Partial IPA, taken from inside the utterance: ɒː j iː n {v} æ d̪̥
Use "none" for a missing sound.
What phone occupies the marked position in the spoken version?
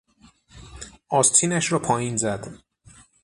z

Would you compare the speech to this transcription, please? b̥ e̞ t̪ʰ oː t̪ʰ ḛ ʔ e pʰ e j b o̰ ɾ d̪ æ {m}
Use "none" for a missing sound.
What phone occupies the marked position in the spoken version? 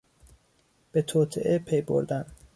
n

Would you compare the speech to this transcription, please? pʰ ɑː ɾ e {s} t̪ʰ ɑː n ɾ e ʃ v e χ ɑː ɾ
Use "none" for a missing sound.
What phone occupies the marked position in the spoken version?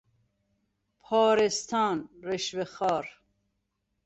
s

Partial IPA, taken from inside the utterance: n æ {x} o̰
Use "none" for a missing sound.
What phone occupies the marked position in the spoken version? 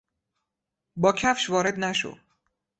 ʃ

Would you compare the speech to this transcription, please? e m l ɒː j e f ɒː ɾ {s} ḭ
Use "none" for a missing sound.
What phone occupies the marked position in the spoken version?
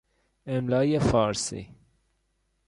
s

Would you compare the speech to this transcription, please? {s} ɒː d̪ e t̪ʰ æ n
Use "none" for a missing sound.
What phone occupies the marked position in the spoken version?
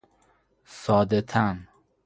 s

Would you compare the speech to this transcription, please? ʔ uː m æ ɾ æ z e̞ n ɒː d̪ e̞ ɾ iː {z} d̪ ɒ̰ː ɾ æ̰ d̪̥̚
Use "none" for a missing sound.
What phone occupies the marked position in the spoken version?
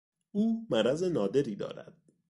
none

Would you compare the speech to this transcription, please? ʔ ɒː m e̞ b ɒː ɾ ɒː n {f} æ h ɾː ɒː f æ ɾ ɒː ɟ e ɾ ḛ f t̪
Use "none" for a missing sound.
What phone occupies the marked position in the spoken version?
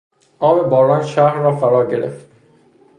ʃ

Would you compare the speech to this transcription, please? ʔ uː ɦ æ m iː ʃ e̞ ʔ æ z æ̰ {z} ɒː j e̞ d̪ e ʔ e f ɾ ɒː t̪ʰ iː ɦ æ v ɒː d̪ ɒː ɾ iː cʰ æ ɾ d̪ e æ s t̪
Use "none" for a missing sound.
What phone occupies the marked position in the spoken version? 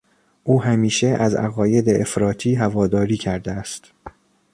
ɣ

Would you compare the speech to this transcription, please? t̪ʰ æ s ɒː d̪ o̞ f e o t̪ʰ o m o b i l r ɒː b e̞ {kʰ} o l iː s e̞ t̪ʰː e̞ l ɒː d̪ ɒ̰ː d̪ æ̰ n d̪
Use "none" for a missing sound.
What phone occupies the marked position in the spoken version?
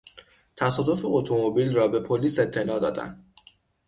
pʰ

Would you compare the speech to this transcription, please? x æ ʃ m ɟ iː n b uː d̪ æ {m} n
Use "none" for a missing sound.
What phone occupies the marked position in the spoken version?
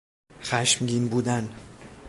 none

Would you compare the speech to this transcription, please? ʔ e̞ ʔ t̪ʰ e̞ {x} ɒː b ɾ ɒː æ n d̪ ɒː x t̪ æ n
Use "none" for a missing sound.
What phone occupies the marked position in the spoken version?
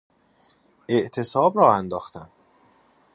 s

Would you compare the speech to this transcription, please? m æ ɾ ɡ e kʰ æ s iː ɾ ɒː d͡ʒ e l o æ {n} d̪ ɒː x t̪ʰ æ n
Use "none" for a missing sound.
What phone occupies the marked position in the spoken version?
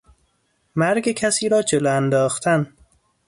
n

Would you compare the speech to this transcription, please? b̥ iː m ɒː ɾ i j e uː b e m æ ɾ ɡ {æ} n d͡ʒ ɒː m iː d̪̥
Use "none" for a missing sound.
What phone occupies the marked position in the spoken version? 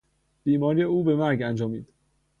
æ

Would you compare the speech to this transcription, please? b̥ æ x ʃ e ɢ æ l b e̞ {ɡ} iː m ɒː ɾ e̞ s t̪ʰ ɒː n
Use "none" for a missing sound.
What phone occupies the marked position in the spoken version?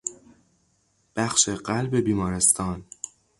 b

